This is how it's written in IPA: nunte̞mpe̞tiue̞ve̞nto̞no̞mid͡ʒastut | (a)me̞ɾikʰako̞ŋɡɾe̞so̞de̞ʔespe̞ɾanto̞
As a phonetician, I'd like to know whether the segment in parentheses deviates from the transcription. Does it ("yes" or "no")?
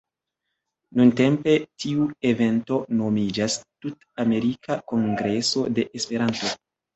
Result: no